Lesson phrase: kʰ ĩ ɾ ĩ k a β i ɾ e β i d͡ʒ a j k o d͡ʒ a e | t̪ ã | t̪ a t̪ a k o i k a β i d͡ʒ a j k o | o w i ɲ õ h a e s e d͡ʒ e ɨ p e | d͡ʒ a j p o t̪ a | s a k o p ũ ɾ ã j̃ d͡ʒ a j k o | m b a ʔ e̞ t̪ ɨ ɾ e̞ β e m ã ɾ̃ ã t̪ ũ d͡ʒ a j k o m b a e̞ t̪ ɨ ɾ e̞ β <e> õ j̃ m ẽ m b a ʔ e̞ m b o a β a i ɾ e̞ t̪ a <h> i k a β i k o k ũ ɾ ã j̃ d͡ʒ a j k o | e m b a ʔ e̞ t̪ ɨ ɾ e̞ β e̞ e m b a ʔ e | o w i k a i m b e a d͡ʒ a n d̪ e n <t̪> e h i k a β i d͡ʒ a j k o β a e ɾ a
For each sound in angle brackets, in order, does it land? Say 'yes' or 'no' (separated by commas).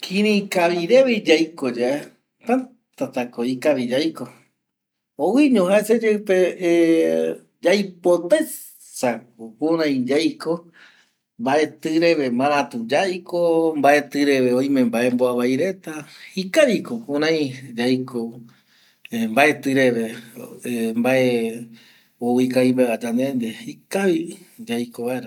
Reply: yes, yes, no